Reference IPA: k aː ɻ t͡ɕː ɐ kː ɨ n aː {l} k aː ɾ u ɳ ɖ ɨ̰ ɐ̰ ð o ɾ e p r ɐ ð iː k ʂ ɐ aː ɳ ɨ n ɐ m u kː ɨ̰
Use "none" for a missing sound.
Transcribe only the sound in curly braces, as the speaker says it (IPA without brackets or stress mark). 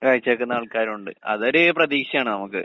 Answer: ɭ